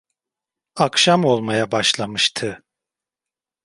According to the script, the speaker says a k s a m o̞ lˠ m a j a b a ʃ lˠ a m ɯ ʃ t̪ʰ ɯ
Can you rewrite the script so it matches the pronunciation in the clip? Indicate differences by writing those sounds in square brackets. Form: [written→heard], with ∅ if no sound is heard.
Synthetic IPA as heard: a k [s→ʃ] a m o̞ lˠ m a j a b a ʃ lˠ a m ɯ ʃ t̪ʰ ɯ